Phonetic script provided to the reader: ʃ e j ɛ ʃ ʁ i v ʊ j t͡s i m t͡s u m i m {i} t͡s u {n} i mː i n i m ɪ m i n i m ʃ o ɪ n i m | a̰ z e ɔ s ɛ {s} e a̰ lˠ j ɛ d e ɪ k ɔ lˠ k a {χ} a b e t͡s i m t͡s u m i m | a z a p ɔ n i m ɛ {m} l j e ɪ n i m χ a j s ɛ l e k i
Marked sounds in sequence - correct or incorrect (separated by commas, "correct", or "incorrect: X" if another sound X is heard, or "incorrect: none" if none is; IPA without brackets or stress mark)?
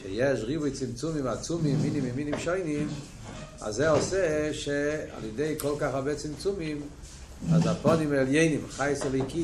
incorrect: a, incorrect: m, incorrect: ʃ, correct, incorrect: none